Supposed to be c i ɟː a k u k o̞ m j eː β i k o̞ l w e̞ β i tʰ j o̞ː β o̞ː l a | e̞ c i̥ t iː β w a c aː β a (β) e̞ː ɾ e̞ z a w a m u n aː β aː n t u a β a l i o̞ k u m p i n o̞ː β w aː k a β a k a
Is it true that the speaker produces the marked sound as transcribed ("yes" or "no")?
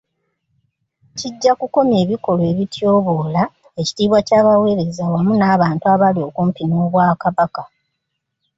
no